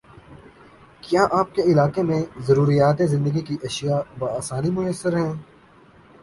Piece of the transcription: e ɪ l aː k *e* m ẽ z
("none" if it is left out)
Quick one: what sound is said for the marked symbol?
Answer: e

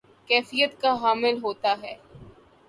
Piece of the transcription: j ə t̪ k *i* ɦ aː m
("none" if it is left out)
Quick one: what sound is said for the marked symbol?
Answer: a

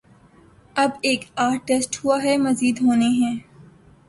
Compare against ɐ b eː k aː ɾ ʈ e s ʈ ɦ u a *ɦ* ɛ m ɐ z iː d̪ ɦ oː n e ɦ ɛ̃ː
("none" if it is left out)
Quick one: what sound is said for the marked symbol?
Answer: ɦ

